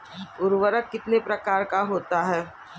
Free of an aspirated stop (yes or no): yes